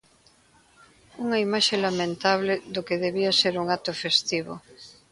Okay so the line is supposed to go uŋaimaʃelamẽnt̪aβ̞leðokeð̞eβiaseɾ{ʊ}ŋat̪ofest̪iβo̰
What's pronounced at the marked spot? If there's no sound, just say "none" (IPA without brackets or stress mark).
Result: u